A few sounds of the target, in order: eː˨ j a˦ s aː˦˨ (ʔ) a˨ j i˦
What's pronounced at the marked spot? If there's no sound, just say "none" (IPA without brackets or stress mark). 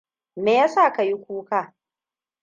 k